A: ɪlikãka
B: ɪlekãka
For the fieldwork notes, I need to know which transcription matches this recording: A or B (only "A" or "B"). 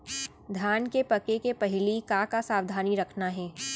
A